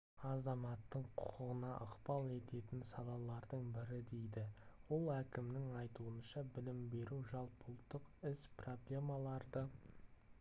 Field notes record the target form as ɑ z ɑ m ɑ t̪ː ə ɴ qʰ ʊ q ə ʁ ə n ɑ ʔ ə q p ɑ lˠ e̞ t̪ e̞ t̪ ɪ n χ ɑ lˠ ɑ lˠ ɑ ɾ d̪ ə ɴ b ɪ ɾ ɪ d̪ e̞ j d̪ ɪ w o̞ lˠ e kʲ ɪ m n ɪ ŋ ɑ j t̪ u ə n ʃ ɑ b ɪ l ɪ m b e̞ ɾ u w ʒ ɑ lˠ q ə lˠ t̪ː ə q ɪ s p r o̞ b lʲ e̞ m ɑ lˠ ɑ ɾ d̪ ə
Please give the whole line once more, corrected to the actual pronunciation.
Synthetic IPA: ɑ z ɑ m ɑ t̪ː ə ɴ qʰ ʊ q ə ʁ ə n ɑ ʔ ə q p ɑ lˠ e̞ t̪ e̞ t̪ ɪ n s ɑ lˠ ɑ lˠ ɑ ɾ d̪ ə ɴ b ɪ ɾ ɪ d̪ e̞ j d̪ ɪ w o̞ lˠ æ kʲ ɪ m n ɪ ŋ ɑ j t̪ u ə n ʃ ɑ b ɪ l ɪ m b e̞ ɾ u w ʒ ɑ lˠ p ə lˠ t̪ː ə q ɪ s p r o̞ b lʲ e̞ m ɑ lˠ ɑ ɾ d̪ ə